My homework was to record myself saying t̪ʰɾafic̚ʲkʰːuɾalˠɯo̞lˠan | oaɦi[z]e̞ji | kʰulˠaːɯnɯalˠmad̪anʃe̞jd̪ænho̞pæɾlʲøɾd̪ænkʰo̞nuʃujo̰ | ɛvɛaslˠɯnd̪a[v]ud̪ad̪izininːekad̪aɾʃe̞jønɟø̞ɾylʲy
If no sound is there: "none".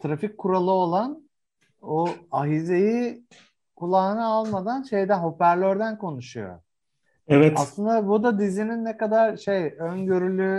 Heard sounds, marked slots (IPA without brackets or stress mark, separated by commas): z, b